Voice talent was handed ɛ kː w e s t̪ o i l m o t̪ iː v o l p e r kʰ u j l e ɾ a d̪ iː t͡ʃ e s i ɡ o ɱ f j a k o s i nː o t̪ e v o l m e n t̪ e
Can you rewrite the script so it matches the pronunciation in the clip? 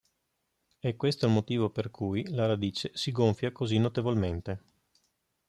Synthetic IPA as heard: ɛ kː w e s t̪ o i l m o t̪ iː v o p e r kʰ u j l a ɾ a d̪ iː t͡ʃ e s i ɡ o ɱ f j a k o z i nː o t̪ e v o l m e n t̪ e